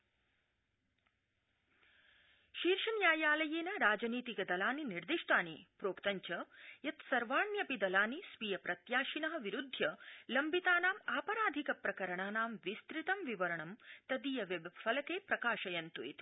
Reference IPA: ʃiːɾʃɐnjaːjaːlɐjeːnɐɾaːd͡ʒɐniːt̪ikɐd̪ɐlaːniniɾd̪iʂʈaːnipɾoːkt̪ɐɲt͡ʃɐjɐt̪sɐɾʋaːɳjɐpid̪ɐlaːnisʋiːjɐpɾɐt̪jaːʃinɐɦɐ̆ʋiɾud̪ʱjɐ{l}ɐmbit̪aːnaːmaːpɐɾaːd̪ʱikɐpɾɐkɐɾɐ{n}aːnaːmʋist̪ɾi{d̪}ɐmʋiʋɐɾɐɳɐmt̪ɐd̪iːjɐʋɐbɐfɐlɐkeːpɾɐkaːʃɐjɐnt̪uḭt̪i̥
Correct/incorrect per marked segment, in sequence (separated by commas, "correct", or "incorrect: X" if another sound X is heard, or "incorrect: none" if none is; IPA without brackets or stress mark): correct, incorrect: ɳ, incorrect: t̪